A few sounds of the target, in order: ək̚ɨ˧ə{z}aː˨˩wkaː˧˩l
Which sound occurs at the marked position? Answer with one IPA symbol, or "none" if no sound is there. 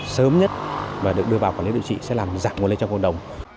v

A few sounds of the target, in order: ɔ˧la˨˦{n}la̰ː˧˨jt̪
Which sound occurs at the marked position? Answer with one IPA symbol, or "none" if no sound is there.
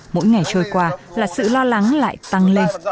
ŋ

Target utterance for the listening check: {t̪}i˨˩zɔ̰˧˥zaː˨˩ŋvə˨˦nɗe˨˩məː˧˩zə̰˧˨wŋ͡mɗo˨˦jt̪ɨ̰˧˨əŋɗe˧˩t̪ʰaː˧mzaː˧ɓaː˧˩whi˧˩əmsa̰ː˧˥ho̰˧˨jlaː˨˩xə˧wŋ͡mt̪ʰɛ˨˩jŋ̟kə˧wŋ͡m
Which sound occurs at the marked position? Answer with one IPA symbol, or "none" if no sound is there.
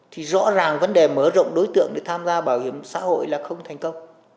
t̪ʰ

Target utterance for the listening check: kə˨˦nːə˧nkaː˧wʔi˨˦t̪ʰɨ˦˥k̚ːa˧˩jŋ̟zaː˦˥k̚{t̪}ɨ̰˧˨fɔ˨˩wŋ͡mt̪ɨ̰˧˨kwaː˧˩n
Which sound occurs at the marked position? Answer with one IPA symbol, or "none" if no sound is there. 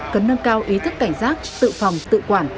t̪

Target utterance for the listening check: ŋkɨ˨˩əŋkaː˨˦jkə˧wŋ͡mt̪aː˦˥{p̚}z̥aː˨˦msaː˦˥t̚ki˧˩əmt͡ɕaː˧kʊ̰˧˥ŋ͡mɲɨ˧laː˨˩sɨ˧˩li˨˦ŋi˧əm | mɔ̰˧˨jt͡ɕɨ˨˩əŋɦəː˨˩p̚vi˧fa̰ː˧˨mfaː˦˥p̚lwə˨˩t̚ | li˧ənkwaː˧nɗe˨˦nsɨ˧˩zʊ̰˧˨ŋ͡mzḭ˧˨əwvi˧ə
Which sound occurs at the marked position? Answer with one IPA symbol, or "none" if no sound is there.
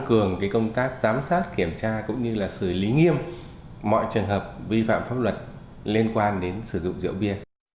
k̚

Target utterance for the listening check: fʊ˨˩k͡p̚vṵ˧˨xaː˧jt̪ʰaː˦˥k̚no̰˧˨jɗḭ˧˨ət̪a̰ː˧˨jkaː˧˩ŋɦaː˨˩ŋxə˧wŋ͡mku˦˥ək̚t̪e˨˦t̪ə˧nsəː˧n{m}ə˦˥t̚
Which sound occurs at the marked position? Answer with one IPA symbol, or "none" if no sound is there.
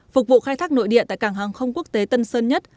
ɲ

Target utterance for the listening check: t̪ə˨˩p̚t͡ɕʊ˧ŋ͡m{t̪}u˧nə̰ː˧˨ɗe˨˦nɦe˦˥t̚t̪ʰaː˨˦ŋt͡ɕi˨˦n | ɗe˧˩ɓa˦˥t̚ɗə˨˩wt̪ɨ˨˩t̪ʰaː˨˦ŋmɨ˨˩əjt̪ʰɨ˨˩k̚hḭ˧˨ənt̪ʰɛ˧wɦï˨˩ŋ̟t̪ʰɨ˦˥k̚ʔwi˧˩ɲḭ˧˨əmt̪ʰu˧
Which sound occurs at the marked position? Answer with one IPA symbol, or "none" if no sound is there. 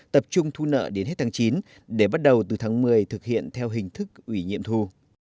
t̪ʰ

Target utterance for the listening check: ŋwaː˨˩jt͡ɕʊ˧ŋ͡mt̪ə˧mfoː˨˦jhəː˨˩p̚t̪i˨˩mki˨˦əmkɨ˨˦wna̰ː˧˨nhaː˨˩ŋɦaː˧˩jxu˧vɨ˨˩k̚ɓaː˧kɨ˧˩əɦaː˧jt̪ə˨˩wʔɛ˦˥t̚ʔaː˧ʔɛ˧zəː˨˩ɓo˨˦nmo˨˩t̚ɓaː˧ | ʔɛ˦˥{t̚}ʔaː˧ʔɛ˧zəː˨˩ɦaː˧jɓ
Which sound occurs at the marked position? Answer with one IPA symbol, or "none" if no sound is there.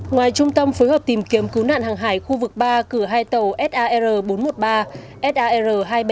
t̚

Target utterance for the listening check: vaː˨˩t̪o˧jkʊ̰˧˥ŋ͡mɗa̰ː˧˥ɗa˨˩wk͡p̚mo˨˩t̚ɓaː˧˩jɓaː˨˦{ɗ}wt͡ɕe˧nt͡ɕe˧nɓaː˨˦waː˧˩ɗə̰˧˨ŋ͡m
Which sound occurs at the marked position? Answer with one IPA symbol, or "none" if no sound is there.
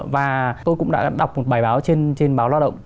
none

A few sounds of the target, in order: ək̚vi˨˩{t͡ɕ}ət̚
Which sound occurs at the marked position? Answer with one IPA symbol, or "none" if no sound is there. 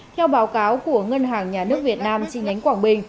none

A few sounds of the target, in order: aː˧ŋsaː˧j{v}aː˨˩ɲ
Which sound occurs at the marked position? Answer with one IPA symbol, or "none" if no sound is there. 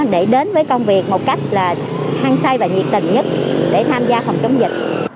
v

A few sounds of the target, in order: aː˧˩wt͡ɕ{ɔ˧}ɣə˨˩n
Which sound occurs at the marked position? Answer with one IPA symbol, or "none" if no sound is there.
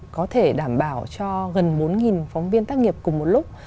ɔ˧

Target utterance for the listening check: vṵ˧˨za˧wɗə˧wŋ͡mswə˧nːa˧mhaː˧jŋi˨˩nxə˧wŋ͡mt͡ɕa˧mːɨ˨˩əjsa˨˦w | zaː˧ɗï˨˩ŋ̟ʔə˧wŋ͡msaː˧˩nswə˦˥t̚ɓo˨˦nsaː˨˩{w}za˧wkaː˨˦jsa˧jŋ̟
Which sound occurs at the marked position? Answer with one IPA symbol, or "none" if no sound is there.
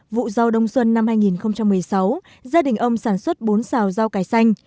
w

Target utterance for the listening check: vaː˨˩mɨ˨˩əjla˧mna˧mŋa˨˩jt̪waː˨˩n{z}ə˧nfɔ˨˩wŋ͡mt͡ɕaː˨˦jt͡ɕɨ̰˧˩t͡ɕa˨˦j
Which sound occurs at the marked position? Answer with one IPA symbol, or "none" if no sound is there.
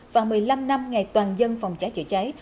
z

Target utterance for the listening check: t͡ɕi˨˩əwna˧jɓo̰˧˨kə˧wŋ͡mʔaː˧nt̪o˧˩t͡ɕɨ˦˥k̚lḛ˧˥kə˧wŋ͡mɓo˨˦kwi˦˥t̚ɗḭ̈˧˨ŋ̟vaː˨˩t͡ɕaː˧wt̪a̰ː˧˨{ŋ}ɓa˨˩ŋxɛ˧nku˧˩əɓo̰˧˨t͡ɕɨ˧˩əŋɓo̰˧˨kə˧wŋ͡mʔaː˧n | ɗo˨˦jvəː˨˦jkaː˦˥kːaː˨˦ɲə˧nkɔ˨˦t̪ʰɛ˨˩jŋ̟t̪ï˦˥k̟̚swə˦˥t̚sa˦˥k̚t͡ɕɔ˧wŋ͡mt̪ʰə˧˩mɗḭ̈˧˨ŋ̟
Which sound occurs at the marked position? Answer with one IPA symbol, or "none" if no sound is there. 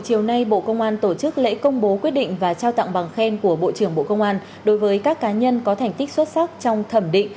ŋ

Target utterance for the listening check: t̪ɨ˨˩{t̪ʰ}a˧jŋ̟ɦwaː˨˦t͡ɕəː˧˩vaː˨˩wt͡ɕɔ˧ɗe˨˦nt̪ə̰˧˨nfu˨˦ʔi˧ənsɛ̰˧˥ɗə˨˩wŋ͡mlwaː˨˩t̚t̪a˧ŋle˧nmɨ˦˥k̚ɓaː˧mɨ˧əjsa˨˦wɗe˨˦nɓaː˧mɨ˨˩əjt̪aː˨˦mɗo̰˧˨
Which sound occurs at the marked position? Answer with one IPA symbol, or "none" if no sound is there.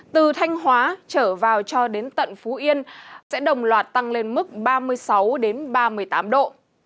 t̪ʰ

